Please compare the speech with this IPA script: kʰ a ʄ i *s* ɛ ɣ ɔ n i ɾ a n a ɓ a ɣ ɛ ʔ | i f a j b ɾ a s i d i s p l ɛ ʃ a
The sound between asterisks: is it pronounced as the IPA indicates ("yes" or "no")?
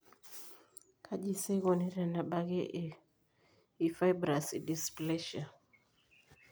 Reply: yes